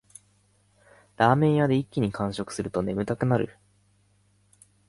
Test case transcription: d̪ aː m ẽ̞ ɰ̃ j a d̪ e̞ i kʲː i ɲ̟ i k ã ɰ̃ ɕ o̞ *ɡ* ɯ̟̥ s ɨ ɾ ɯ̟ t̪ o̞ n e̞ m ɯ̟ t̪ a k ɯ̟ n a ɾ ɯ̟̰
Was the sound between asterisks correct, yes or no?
no